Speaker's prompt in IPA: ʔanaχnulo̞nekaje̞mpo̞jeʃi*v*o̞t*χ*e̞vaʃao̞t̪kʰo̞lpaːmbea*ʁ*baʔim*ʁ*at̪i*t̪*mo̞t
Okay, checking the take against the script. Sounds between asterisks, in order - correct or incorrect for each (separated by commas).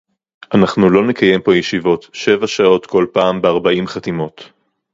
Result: correct, incorrect, correct, incorrect, incorrect